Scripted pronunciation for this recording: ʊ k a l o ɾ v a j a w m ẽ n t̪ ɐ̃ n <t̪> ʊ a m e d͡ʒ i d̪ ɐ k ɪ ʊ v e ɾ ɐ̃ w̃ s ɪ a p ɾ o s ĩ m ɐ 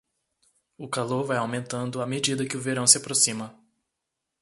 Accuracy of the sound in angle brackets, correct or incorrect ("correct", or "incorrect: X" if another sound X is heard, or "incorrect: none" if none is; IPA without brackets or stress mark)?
incorrect: d̪